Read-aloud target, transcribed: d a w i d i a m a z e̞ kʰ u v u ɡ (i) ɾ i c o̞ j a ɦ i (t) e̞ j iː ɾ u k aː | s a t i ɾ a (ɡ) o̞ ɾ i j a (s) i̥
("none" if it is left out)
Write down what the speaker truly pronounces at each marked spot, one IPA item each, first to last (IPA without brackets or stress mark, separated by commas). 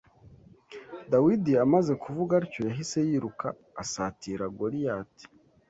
a, s, ɡ, t